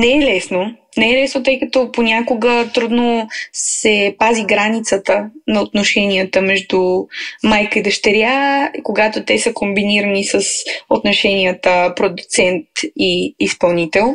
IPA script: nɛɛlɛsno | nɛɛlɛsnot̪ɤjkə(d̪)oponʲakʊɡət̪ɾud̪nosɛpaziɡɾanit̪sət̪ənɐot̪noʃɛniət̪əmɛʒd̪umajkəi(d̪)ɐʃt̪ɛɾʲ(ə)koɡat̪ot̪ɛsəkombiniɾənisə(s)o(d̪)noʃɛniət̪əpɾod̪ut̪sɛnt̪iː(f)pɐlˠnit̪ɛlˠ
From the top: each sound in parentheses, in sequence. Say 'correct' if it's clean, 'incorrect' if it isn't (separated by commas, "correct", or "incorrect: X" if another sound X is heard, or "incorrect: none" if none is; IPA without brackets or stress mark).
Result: incorrect: t̪, correct, incorrect: a, correct, incorrect: t̪, incorrect: s